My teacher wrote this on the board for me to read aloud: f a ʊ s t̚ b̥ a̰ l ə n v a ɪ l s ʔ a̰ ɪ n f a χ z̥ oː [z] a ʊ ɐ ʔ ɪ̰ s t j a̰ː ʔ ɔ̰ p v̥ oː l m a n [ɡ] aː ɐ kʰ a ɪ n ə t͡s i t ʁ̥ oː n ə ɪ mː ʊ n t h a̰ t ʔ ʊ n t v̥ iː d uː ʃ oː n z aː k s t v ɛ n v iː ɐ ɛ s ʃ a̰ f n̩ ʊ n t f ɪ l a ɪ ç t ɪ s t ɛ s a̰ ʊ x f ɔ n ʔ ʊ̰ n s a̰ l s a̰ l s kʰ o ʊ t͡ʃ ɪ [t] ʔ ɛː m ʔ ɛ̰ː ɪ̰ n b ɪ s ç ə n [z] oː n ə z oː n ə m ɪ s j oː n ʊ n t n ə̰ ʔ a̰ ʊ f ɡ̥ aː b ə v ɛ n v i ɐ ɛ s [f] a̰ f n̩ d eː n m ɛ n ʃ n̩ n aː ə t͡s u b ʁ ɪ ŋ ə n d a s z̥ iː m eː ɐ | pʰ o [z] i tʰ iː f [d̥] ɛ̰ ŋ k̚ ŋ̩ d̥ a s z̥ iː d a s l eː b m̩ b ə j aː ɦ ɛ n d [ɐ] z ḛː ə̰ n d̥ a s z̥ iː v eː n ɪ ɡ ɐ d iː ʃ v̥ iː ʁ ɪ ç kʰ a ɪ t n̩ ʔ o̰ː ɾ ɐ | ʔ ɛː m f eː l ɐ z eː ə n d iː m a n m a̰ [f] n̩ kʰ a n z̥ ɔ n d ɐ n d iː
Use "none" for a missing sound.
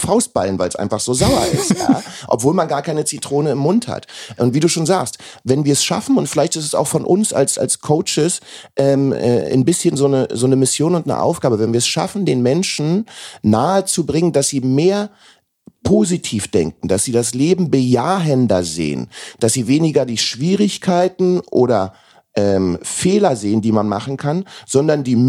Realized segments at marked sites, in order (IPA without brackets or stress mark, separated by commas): z, ɡ, s, z, ʃ, z, d̥, ɐ, χ